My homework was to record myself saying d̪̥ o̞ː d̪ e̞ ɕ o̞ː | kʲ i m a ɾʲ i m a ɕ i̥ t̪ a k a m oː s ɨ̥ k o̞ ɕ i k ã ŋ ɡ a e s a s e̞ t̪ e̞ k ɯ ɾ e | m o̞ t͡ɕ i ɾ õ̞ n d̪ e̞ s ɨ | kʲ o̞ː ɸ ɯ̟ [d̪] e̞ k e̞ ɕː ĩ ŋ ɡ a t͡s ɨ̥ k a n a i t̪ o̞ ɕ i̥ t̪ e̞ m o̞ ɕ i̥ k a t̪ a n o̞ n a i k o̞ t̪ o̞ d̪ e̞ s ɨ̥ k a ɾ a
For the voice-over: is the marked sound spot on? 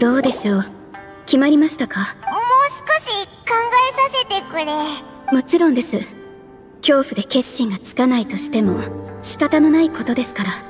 yes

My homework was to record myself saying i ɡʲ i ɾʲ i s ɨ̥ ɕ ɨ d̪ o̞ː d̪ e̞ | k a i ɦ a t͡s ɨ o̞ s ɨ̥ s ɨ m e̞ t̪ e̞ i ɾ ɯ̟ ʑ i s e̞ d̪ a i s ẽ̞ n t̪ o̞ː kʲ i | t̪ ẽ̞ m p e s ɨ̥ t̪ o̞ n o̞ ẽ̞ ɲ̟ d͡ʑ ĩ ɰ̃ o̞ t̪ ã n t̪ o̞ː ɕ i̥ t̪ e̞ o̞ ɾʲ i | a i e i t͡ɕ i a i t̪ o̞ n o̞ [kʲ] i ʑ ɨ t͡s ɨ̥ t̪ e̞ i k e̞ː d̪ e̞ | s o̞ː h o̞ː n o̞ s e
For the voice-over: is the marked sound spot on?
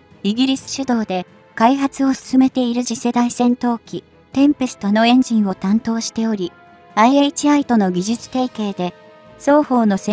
no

